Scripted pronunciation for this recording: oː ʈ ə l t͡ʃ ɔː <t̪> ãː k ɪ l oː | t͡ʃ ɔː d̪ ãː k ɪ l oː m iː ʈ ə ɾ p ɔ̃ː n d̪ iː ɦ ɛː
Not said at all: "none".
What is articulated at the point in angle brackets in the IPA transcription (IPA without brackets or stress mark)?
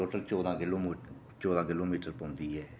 d̪